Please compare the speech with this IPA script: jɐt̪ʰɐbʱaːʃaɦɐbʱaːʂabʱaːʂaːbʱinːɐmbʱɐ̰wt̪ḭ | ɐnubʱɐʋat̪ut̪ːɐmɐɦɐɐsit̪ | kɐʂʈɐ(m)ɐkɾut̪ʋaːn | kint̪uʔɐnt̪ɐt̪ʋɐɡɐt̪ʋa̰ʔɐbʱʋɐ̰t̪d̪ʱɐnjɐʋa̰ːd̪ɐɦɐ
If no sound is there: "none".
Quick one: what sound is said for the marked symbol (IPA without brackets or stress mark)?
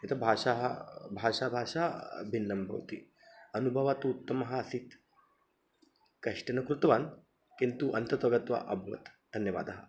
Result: n